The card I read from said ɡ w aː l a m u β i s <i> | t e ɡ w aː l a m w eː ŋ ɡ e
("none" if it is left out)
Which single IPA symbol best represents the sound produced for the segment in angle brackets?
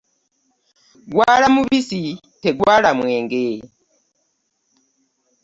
i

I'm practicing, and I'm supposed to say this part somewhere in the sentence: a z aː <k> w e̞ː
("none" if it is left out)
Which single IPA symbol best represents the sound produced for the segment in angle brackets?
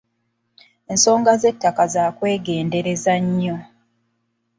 k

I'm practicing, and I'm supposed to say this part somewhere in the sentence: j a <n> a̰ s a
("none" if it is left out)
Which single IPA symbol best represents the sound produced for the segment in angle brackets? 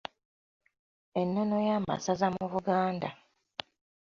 m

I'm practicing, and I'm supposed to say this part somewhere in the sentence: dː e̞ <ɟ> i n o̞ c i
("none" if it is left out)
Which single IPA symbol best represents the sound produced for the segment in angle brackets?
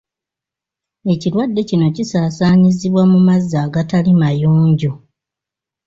c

